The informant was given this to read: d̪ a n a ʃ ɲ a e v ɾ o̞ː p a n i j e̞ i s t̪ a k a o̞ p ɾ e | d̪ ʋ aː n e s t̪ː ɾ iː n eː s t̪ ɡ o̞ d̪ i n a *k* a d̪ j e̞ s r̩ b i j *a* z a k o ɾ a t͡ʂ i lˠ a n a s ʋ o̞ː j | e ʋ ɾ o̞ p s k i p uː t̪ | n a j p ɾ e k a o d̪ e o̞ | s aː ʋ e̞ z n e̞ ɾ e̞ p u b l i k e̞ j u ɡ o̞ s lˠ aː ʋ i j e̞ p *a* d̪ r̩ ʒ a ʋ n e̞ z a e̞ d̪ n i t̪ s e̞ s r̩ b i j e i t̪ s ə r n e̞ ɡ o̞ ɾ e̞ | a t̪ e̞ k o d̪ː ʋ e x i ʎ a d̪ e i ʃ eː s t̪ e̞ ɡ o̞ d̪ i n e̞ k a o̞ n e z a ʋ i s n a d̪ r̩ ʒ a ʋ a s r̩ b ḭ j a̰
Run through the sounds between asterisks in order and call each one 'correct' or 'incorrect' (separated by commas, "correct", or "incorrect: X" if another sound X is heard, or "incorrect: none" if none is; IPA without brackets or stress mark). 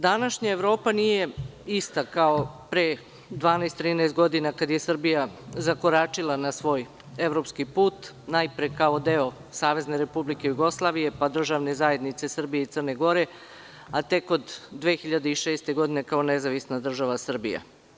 correct, correct, correct